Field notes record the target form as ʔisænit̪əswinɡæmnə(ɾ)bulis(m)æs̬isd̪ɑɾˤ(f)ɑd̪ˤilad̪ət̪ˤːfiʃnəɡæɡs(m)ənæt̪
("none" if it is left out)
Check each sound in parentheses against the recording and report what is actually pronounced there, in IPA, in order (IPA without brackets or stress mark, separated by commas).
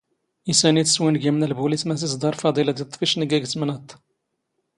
l, m, f, m